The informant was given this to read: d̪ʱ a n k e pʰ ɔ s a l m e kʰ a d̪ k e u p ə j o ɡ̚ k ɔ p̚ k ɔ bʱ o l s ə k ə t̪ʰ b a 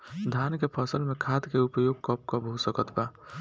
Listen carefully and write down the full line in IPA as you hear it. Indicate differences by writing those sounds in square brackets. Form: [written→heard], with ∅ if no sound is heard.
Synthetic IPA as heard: d̪ʱ a n k e pʰ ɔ s [a→ə] l m e kʰ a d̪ k e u p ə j o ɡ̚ k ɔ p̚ k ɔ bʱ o [l→∅] s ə k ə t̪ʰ b a